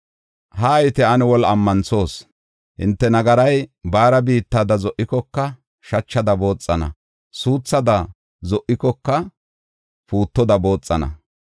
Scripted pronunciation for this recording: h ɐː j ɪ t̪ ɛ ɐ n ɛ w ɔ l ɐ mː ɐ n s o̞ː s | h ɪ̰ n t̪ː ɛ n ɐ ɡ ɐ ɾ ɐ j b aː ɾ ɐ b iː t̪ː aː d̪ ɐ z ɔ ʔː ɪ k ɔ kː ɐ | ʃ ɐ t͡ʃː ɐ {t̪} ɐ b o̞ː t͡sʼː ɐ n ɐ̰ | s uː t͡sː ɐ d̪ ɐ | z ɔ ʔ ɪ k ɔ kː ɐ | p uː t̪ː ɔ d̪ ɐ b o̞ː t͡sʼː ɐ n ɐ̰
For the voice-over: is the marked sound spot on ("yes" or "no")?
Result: no